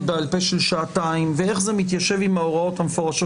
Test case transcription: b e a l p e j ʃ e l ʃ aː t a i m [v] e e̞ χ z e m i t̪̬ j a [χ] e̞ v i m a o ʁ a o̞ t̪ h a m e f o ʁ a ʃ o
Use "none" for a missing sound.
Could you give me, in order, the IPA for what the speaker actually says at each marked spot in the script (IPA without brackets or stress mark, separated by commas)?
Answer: v, ʃ